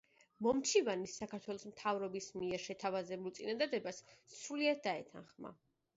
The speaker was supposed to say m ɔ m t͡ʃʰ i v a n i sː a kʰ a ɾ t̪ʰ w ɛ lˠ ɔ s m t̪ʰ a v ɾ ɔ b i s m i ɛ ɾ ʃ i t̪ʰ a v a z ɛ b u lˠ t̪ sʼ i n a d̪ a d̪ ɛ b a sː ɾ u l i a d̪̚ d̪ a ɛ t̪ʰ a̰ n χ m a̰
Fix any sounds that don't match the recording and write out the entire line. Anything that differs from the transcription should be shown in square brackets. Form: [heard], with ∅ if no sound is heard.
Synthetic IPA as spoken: m ɔ m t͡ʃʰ i v a n i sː a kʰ a ɾ t̪ʰ w ɛ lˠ ɔ s m t̪ʰ a v ɾ ɔ b i s m i ɛ ɾ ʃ [ɛ] t̪ʰ a v a z ɛ b u lˠ t̪ sʼ i n a d̪ a d̪ ɛ b a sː ɾ u l i a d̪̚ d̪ a ɛ t̪ʰ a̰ n χ m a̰